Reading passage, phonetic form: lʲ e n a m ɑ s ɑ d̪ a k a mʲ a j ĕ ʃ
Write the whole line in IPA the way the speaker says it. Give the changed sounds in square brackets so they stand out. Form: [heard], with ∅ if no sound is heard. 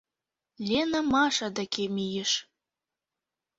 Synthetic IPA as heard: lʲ e n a m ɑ [ʃ] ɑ d̪ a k [e] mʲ [i] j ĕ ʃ